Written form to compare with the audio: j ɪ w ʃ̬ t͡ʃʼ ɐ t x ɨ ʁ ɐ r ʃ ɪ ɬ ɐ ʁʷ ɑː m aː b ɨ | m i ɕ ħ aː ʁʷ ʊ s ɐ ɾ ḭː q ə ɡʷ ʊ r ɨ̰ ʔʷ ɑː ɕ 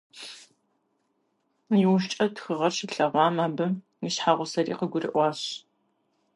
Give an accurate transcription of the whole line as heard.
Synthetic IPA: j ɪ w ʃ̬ t͡ʃʼ ɐ t x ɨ ʁ ɐ r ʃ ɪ ɬ ɐ ʁʷ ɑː m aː b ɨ | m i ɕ ħ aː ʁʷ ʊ s ɐ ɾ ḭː q ə ɡʷ ʊ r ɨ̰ ʔʷ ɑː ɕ